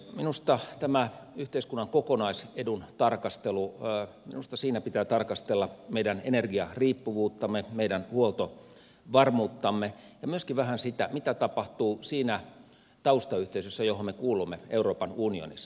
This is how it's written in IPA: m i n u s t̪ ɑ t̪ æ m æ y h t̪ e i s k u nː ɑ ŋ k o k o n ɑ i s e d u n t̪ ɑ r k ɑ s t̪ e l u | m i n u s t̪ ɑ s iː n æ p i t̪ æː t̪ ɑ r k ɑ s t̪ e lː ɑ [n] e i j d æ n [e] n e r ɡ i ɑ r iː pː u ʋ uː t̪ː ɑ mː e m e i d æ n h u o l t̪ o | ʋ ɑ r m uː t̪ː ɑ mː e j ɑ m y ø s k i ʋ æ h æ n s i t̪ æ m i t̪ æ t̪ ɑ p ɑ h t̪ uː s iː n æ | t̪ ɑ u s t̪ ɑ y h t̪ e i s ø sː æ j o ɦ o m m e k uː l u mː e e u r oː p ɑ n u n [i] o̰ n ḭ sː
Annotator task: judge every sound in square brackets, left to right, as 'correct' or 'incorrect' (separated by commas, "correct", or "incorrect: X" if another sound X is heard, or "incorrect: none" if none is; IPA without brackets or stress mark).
incorrect: m, correct, correct